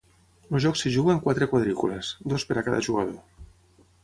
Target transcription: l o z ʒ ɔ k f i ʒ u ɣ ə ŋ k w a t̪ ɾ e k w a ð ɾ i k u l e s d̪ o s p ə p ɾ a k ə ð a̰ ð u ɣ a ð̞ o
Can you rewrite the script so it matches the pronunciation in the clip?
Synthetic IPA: l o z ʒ ɔ k s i ʒ u ɣ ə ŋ k w a t̪ ɾ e k w a ð ɾ i k u l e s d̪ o s p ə ɾ a k a ð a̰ ʒ u ɣ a ð̞ o